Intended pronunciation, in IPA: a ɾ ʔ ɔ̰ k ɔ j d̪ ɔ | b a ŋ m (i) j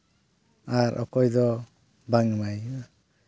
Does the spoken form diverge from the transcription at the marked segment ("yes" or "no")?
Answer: yes